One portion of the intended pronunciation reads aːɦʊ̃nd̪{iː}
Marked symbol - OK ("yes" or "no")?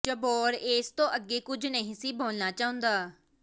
no